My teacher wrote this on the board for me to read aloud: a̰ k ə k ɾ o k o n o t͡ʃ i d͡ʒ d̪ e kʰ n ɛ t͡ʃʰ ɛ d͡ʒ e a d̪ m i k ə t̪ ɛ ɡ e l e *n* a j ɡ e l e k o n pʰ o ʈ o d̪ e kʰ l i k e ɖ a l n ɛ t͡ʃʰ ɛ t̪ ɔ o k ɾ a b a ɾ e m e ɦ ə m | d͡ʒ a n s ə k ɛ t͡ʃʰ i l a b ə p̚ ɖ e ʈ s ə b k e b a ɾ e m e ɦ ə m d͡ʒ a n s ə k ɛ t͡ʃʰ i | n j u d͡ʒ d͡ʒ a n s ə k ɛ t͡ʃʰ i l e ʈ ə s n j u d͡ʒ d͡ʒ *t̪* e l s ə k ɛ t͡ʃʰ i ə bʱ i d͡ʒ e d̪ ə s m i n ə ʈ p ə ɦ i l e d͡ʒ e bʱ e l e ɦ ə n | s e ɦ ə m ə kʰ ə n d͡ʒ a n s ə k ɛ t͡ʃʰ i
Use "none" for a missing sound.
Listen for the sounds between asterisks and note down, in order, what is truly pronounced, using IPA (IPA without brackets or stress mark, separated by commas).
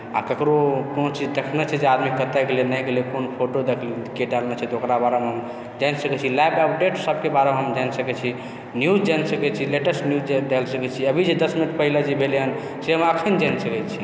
n, d̪